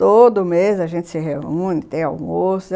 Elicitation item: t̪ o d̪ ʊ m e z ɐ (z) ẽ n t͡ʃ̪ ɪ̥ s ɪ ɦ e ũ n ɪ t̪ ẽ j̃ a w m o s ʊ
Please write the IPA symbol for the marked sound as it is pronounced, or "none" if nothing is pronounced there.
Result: ʒ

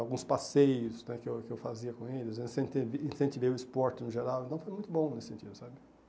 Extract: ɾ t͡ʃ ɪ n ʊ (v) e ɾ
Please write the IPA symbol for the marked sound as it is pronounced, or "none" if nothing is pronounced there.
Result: ʒ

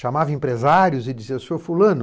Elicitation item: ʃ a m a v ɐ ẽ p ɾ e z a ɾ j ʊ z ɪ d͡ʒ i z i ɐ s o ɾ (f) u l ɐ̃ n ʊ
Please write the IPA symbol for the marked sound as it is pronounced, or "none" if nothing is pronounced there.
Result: f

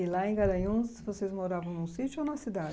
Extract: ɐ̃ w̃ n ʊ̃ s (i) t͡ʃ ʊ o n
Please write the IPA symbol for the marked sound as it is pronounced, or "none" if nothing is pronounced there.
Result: i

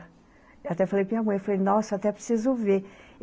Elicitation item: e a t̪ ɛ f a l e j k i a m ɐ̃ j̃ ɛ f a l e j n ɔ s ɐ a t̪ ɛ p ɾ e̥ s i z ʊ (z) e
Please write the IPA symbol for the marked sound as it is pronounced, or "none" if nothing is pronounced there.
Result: v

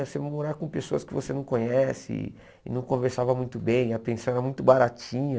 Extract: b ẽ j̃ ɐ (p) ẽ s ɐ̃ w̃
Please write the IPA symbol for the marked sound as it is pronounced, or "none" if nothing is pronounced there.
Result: p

